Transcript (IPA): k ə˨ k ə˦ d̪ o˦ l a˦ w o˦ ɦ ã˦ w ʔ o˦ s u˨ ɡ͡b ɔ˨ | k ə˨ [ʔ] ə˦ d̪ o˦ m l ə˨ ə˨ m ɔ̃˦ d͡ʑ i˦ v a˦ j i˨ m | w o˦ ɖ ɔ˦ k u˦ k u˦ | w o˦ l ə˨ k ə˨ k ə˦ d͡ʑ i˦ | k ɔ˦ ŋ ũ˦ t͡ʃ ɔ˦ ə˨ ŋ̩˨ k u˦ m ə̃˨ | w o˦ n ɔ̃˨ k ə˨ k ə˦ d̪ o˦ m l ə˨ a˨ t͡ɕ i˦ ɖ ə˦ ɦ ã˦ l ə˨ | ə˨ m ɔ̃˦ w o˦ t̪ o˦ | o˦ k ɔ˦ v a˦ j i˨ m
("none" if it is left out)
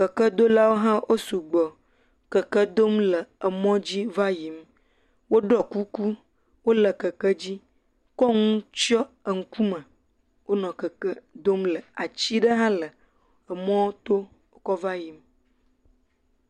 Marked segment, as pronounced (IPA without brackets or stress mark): k